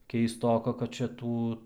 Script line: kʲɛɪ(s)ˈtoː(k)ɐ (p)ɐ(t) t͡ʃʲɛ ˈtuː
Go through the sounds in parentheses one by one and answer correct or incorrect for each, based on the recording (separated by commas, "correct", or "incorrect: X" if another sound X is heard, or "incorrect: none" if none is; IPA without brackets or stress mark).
correct, correct, incorrect: k, correct